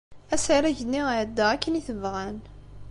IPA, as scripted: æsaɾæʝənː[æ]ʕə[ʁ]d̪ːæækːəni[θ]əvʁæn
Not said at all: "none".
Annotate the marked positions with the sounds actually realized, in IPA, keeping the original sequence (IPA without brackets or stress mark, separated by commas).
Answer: i, none, θ